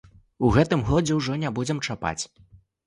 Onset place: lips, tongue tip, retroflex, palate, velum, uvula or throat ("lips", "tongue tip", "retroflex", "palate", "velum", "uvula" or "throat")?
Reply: velum